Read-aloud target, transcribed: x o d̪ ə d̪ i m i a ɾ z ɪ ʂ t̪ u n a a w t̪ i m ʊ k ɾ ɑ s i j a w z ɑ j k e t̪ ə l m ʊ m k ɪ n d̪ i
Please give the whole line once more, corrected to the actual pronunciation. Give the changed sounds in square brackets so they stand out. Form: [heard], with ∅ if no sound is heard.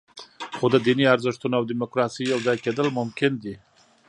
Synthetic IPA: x o d̪ ə d̪ i [n] i a ɾ z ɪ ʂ t̪ u n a a w [d̪] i m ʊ k ɾ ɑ s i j a w z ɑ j k e [d̪] ə l m ʊ m k ɪ n d̪ i